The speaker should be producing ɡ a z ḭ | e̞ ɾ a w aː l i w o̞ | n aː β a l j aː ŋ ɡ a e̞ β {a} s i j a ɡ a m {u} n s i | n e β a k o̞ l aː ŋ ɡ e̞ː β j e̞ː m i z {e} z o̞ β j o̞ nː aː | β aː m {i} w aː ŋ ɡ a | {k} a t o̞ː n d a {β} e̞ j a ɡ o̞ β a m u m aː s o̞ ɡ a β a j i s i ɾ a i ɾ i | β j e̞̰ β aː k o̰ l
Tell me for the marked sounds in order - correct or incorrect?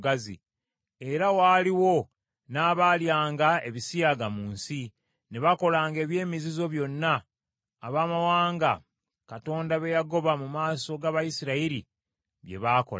incorrect, incorrect, incorrect, incorrect, correct, correct

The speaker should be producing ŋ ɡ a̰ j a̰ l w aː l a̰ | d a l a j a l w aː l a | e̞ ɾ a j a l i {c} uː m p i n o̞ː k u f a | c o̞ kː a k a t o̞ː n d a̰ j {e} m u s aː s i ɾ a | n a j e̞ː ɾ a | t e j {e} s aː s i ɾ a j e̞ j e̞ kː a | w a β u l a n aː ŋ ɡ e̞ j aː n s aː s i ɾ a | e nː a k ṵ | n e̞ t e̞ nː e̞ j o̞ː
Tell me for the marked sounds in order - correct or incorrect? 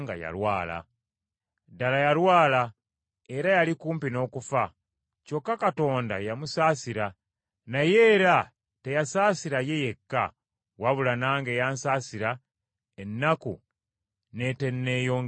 incorrect, incorrect, incorrect

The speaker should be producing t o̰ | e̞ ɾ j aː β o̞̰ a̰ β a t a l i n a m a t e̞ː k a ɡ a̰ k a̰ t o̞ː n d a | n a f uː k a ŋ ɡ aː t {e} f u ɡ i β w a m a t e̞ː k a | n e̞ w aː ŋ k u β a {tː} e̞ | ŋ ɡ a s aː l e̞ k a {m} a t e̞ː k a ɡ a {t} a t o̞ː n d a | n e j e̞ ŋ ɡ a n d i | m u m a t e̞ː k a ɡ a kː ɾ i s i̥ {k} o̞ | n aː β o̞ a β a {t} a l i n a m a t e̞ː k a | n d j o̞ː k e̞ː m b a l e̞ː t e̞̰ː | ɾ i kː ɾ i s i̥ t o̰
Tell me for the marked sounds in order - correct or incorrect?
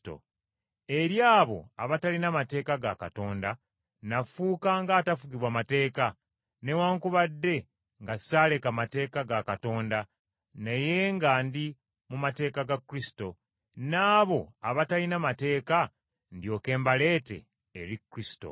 incorrect, incorrect, correct, incorrect, incorrect, correct

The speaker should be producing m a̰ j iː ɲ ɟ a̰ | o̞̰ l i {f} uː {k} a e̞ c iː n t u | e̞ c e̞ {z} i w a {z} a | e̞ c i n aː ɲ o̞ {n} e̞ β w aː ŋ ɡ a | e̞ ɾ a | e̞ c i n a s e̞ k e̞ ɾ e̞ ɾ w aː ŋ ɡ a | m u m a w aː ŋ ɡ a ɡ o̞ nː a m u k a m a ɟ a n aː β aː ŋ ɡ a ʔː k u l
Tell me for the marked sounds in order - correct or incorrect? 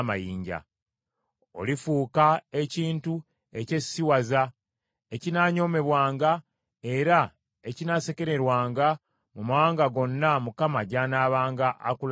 correct, correct, incorrect, correct, incorrect

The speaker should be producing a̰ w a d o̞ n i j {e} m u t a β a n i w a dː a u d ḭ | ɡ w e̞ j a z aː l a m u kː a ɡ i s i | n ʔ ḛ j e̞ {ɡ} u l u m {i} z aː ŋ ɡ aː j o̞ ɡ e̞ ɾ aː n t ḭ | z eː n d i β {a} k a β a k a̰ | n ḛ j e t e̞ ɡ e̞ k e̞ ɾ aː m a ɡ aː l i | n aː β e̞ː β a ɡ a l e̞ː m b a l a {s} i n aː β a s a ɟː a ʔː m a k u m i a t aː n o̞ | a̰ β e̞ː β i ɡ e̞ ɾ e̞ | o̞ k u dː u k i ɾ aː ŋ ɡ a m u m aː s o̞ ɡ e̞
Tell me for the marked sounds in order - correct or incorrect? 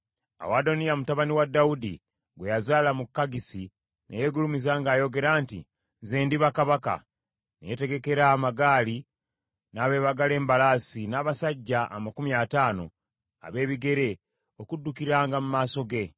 incorrect, correct, correct, correct, correct

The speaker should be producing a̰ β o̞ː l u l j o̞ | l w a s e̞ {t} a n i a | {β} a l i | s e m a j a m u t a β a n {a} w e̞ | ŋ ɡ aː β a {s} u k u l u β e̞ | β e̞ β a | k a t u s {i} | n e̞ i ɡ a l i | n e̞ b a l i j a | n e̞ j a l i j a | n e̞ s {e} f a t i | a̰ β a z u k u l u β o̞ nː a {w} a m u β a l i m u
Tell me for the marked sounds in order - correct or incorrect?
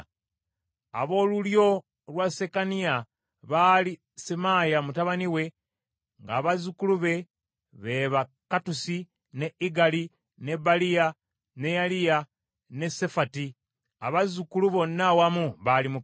incorrect, correct, incorrect, incorrect, correct, correct, correct

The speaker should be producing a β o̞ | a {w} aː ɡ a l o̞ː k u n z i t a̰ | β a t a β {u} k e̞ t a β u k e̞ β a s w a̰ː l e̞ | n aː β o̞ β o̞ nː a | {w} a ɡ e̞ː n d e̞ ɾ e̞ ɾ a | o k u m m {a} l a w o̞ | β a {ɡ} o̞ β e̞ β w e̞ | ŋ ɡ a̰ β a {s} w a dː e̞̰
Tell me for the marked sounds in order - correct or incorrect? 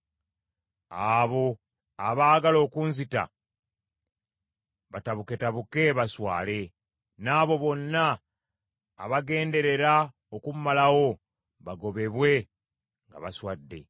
incorrect, correct, incorrect, correct, correct, correct

